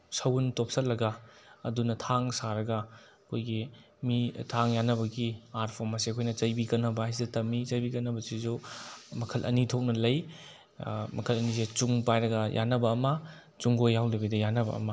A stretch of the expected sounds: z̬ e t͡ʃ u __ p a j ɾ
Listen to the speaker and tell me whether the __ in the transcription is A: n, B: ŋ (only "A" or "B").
B